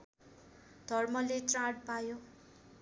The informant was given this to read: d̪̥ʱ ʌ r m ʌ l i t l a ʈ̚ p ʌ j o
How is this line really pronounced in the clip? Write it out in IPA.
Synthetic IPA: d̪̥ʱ ʌ r m ʌ l e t r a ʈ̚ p a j o